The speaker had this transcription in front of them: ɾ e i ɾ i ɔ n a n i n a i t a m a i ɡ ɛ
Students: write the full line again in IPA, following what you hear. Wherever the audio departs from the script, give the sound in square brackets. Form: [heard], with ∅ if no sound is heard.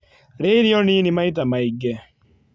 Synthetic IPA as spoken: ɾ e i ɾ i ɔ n [i] n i [m] a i t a m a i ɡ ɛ